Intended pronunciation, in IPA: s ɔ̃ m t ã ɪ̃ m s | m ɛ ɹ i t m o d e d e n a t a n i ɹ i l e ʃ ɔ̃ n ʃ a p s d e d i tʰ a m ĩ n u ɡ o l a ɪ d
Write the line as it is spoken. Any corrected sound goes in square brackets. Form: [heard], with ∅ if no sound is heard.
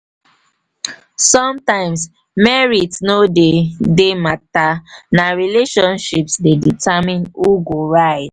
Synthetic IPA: s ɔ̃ m t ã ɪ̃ m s | m ɛ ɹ i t [n] o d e d e [m] a t a n [a] ɹ i l e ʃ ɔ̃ n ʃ [i] p s d e d i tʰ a m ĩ n u ɡ o [ɹ] a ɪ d